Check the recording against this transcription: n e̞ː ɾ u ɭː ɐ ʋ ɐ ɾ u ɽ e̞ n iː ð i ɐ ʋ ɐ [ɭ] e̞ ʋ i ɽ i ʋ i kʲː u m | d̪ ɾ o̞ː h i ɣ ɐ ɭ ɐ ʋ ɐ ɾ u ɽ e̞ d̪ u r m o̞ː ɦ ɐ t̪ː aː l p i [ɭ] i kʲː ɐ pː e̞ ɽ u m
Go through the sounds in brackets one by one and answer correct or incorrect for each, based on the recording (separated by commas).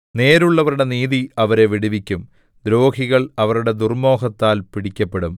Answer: incorrect, incorrect